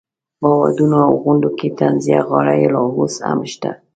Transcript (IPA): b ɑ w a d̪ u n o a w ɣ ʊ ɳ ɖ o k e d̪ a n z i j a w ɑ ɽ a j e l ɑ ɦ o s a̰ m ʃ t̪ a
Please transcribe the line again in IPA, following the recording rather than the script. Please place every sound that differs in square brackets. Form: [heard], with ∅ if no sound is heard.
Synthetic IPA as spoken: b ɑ w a d̪ u n o a w ɣ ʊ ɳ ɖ o k e [t̪] a n z i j a [ɣ] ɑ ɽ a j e l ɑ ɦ o s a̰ m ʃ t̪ a